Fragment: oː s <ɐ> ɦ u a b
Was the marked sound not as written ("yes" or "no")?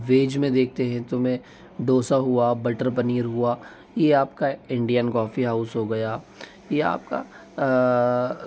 yes